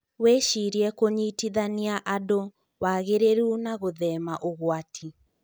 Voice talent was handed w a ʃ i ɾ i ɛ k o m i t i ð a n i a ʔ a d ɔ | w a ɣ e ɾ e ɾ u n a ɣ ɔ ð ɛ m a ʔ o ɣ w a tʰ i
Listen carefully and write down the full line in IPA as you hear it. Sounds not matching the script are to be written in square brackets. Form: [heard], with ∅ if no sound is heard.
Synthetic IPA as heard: w [e] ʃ i ɾ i ɛ k o [ɲ] i t i ð a n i a ʔ a d [o] | w a ɣ e ɾ e ɾ u n a ɣ [o] ð ɛ m a ʔ o ɣ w a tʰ i